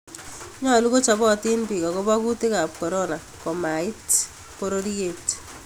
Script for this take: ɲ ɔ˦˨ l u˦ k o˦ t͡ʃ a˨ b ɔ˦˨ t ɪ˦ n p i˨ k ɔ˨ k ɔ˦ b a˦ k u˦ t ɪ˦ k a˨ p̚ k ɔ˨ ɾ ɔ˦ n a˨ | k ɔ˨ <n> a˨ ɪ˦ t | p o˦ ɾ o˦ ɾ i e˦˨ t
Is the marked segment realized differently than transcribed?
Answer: yes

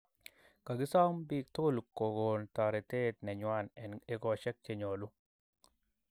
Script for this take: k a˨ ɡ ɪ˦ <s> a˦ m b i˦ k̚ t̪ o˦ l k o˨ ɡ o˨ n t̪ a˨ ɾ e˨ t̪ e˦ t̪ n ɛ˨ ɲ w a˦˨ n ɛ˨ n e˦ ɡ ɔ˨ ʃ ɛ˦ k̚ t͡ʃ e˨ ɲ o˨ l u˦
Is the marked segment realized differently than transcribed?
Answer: no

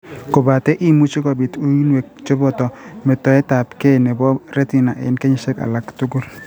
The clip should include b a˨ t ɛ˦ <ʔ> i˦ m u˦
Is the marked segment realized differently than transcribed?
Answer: no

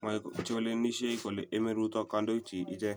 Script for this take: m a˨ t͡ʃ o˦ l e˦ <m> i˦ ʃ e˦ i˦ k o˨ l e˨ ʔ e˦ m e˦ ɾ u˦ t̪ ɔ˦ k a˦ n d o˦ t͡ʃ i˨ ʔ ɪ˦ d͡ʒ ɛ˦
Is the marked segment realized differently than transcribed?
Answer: yes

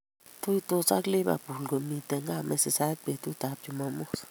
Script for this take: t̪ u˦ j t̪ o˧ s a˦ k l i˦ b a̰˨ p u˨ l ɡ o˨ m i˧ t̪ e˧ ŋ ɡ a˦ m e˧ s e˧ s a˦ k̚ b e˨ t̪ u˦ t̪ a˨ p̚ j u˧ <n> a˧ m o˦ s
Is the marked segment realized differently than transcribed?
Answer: yes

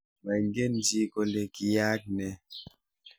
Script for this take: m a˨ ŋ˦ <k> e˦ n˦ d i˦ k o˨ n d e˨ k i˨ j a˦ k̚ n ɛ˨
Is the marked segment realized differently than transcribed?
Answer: yes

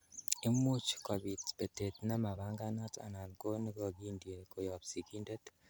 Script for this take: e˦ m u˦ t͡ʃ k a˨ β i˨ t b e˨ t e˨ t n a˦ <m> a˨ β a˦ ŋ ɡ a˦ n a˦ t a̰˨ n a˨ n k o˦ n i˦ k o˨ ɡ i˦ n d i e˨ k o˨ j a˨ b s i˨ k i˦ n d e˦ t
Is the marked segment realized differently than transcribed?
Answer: no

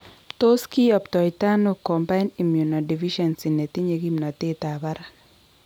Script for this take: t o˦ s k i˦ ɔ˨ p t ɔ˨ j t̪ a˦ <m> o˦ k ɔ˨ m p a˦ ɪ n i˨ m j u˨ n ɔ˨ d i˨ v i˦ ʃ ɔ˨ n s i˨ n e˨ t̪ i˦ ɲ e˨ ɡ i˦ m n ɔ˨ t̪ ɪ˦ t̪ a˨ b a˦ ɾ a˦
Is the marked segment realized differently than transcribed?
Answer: yes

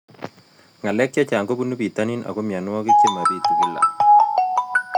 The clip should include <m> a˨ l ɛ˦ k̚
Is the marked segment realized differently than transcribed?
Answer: yes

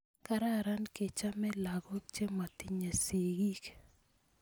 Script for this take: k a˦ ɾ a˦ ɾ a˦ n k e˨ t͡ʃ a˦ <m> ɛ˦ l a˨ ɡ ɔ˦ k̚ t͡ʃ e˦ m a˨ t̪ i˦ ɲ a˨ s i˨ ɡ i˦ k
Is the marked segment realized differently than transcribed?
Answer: no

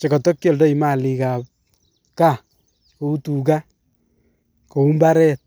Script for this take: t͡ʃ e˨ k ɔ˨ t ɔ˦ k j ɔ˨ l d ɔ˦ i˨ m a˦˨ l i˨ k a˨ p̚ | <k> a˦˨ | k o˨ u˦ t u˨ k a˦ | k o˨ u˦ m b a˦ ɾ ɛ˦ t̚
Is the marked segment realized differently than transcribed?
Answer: no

